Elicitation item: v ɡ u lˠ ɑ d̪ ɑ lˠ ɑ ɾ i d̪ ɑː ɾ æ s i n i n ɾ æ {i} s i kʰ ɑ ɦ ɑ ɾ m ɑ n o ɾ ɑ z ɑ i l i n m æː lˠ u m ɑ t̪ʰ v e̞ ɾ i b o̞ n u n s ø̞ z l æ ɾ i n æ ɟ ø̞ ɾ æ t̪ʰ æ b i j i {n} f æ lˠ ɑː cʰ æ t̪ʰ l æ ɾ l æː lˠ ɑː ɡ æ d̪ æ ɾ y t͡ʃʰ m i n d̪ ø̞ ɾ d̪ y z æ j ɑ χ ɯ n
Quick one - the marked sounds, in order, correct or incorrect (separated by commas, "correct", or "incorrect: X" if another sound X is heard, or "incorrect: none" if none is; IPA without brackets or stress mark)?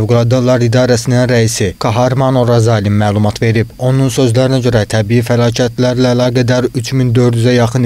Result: correct, incorrect: none